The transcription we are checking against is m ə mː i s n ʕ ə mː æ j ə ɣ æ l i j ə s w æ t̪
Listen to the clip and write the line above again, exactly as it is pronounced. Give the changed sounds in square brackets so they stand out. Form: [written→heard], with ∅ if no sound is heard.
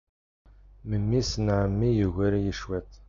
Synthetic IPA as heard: m ə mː i s n ʕ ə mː [æ→i] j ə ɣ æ [l→ɾ] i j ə [s→ʃ] w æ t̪